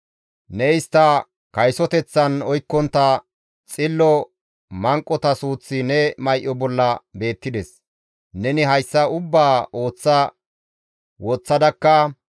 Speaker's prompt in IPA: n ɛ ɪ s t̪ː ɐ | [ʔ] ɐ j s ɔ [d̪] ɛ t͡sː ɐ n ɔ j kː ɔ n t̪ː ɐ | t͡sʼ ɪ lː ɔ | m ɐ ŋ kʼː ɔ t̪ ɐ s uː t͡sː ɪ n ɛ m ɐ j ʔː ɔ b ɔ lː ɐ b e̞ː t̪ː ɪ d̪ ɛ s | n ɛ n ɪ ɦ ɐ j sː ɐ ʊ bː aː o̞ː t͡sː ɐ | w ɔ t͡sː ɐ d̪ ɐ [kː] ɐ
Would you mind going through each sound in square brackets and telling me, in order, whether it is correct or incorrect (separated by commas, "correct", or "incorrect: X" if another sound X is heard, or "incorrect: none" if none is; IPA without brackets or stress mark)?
incorrect: k, incorrect: t̪, correct